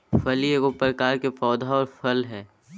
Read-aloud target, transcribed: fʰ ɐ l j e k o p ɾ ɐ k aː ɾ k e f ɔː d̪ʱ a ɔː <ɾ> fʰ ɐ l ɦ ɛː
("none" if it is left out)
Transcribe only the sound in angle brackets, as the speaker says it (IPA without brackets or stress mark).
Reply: ɾ